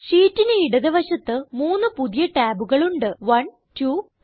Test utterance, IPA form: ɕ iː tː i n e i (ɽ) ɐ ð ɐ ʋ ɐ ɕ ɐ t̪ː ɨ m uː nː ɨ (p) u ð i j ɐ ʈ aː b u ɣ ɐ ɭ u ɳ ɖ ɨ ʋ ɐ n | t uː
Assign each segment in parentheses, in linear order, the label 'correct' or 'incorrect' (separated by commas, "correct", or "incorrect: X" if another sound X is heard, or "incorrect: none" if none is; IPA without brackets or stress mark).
correct, correct